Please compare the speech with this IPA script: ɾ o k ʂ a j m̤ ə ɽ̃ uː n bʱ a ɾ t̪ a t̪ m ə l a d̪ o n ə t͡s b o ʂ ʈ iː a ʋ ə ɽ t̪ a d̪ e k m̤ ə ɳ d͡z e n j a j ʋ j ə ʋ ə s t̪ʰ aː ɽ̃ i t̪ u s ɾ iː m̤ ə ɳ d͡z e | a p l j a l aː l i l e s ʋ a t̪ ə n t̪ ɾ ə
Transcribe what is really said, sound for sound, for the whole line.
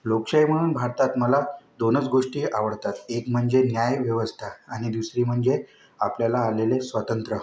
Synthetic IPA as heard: l o k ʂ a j m̤ ə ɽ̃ uː n bʱ a ɾ t̪ a t̪ m ə l a d̪ o n ə t͡s ɡ o ʂ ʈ iː a ʋ ə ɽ t̪ a t̪ e k m̤ ə ɳ d͡z e n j a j ʋ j ə ʋ ə s t̪ʰ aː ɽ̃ i d̪ u s ɾ iː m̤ ə ɳ d͡z e | a p l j a l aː l e l e s ʋ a t̪ ə n t̪ ɾ ə